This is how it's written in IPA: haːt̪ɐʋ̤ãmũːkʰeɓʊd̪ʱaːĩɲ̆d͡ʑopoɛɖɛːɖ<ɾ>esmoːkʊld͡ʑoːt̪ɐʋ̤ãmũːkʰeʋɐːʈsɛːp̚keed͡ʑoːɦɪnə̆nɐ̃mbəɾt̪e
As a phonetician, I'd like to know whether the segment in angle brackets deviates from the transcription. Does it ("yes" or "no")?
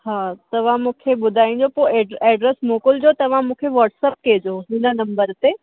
no